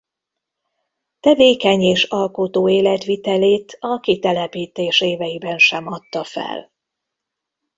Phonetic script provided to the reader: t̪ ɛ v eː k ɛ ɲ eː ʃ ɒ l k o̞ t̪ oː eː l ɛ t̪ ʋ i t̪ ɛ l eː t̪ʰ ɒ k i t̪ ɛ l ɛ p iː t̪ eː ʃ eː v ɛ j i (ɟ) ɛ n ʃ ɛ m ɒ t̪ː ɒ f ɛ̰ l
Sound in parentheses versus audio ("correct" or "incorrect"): incorrect